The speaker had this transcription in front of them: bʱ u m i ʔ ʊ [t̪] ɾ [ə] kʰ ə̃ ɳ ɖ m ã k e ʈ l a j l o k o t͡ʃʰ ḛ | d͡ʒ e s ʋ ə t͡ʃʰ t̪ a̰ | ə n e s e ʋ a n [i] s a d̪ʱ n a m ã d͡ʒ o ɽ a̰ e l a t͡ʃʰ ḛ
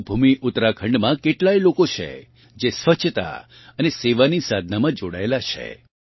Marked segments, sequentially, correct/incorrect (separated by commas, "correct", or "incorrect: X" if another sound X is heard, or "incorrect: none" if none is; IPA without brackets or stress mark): correct, incorrect: a, correct